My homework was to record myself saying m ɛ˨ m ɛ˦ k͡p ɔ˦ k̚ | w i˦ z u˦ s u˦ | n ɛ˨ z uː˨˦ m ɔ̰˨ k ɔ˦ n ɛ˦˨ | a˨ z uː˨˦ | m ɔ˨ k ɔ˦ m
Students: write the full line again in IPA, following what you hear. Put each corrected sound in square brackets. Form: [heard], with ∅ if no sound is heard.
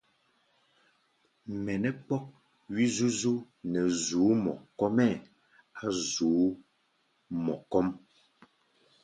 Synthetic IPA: m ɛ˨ [n] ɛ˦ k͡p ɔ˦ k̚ | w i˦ z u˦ [z] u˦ | n ɛ˨ z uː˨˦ m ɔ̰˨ k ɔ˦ [m] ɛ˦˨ | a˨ z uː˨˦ | m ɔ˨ k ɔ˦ m

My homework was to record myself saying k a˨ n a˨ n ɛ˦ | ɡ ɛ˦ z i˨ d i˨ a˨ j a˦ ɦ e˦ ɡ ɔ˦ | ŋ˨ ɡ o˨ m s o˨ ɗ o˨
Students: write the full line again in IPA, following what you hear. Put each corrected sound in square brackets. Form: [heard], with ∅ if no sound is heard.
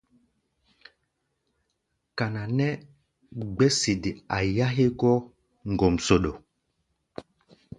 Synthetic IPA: k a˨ n a˨ n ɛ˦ | [ɡ͡b] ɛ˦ [s] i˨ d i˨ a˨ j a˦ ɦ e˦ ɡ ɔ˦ | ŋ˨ ɡ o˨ m s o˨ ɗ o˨

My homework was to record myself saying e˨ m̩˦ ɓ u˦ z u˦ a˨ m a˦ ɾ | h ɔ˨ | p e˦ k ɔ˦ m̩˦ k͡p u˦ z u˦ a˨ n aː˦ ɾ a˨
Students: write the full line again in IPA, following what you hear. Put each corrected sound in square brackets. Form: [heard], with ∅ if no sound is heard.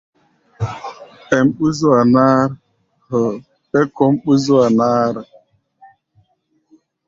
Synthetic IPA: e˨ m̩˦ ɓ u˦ z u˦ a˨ [n] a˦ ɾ | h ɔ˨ | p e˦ k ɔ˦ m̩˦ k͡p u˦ z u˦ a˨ n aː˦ ɾ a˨

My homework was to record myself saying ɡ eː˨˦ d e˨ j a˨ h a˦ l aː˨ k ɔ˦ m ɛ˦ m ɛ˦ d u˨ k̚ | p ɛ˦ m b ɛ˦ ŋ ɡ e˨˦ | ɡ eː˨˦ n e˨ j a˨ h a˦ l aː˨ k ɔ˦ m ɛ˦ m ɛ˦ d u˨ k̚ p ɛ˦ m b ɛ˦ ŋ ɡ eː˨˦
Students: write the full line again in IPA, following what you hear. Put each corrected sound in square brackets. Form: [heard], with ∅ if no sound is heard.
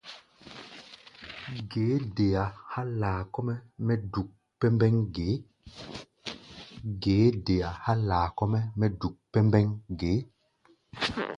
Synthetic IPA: ɡ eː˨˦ d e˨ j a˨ h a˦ l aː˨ k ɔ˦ m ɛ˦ m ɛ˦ d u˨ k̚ | p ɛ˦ m b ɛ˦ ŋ ɡ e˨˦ | ɡ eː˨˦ [d] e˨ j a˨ h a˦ l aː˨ k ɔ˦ m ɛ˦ m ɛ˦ d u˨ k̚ p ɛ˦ m b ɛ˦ ŋ ɡ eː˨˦

